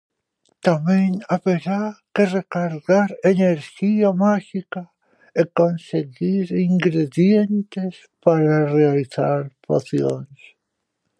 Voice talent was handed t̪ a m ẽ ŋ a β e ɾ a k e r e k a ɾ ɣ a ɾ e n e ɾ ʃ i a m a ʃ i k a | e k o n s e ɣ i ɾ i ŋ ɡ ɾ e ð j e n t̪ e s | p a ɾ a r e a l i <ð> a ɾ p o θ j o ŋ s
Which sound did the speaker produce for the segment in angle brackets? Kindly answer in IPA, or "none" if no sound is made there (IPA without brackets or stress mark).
θ